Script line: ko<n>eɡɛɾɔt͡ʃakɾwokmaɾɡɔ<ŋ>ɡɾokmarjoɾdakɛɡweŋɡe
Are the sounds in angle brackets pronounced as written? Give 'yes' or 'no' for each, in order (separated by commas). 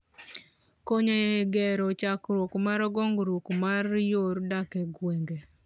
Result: no, yes